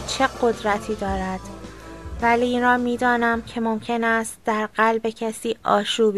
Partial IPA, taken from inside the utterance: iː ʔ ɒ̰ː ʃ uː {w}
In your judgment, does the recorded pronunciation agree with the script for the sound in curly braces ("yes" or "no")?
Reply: no